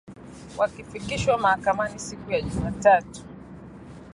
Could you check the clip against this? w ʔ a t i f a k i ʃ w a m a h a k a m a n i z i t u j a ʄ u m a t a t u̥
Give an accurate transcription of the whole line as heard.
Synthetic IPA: w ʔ a k i f i k i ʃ w a m a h a k a m a n i s i k u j a ʄ u m a t a t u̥